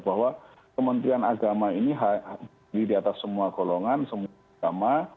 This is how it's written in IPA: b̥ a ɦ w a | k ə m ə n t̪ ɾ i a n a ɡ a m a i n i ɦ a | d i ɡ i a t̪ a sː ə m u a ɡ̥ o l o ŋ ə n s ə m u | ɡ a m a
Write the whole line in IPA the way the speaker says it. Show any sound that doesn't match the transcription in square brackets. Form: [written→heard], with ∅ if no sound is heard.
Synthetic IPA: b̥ a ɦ w a | k ə m ə n t̪ ɾ i a n a ɡ a m a i n i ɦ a | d i [ɡ→d] i a t̪ a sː ə m u a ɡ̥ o l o ŋ [ə→a] n s ə m u | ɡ a m a